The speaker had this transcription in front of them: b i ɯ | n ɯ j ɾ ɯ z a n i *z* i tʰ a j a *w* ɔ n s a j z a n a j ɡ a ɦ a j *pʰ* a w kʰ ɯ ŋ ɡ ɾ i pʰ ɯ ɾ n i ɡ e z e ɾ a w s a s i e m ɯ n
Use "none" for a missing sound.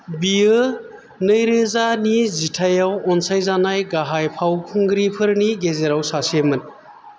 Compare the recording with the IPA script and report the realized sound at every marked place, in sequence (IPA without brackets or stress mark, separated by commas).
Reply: z, w, pʰ